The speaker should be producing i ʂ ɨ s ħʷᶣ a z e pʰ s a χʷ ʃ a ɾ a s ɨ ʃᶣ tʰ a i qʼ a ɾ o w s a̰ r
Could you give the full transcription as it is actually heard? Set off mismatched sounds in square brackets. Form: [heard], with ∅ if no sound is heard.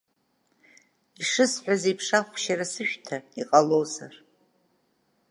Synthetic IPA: i ʂ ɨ s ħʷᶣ a z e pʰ [ʂ] a χʷ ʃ a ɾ a s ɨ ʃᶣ tʰ a i qʼ a [l] o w [z] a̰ r